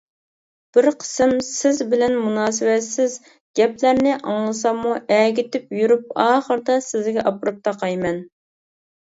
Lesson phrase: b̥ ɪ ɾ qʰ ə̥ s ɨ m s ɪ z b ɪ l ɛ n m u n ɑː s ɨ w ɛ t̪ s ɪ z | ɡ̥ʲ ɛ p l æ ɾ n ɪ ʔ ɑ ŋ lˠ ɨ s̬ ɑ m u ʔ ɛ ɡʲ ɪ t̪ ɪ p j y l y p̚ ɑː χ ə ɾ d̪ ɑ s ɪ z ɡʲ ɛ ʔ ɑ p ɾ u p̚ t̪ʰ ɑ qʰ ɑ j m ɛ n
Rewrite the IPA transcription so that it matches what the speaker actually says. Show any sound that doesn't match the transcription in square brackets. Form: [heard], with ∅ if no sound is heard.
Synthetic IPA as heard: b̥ ɪ ɾ qʰ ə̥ s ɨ m s ɪ z b ɪ l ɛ n m u n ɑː s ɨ w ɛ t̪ s ɪ z | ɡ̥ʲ ɛ p l æ ɾ n ɪ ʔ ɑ ŋ lˠ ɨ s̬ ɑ m u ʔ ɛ ɡʲ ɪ t̪ ɪ p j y [ɾ] y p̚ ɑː χ ə ɾ d̪ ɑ s ɪ z ɡʲ ɛ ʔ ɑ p ɾ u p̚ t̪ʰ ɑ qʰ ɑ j m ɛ n